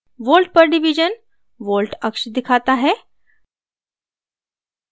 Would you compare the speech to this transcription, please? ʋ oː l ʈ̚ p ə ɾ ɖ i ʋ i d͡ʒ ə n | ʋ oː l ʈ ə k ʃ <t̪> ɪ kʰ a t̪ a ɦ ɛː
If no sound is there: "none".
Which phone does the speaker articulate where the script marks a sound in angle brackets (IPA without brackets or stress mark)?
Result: d̪